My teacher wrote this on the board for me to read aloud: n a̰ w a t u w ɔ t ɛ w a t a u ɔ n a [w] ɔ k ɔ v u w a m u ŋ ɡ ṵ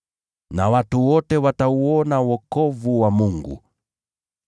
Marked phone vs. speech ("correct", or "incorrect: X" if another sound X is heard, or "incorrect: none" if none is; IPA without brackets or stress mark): correct